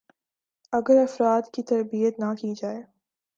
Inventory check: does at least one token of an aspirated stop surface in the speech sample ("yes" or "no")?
no